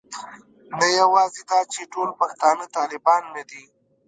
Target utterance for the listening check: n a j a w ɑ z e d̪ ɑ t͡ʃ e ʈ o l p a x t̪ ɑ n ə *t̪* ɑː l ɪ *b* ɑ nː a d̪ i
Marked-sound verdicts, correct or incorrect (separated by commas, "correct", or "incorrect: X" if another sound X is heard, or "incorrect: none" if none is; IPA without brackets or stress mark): correct, correct